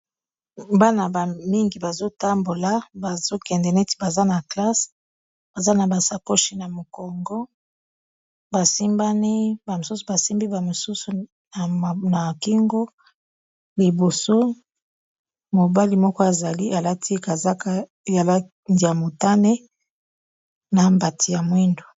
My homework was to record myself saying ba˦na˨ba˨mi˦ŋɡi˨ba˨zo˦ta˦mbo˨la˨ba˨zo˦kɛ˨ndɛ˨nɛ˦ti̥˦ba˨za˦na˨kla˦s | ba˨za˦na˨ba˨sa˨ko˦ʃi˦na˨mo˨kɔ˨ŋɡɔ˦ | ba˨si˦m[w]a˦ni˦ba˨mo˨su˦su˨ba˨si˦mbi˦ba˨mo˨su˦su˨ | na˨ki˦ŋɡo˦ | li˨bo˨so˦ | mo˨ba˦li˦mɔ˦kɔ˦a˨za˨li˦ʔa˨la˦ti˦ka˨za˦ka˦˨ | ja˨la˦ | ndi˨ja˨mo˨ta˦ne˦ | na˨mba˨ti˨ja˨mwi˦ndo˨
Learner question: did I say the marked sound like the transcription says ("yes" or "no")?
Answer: no